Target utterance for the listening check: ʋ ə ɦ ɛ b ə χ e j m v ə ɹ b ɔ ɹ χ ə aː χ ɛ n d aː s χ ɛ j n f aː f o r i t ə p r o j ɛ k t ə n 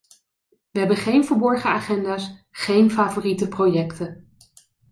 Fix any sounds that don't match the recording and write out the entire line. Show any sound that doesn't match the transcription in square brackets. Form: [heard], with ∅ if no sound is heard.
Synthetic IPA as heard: ʋ ə ɦ ɛ b ə χ e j [n] v ə ɹ b ɔ ɹ χ ə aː χ ɛ n d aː s χ [e] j n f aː [v] o r i t ə p r o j ɛ k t ə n